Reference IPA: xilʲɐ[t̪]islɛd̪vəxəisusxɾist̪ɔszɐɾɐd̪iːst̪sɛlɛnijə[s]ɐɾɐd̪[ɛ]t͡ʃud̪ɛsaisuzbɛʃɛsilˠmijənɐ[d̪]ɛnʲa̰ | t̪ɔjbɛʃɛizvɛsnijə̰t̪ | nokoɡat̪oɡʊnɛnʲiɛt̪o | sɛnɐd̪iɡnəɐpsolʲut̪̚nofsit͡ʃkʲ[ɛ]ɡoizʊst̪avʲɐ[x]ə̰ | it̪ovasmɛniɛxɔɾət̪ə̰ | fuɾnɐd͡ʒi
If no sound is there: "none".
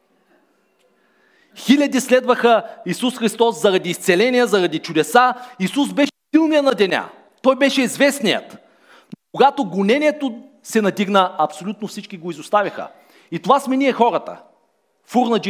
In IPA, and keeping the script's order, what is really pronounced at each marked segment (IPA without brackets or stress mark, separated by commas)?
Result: d̪, z, i, d̪, i, x